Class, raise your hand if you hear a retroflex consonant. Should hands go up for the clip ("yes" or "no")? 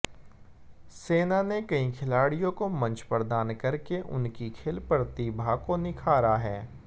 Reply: yes